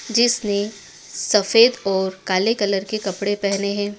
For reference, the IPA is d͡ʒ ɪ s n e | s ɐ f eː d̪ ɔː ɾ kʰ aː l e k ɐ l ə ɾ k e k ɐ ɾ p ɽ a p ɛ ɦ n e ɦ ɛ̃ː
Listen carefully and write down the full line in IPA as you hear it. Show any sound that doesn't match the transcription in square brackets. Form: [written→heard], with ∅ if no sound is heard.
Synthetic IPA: d͡ʒ ɪ s n e | s ɐ f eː d̪ ɔː ɾ [kʰ→k] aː l e k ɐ l ə ɾ k e k ɐ [ɾ→∅] p ɽ [a→e] p ɛ ɦ n e ɦ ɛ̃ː